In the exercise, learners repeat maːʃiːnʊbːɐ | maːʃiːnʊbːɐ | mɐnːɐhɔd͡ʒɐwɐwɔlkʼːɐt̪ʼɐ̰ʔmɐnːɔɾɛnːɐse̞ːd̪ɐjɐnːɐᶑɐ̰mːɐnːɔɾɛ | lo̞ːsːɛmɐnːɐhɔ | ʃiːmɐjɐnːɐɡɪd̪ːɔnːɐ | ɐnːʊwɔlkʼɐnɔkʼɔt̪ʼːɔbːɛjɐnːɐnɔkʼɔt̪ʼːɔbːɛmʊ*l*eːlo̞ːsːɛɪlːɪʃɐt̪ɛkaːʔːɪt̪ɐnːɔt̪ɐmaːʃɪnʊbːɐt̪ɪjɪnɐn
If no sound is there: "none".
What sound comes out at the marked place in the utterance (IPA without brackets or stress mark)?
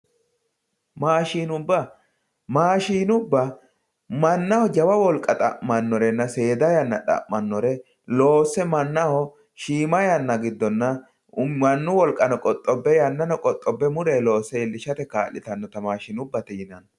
ɾ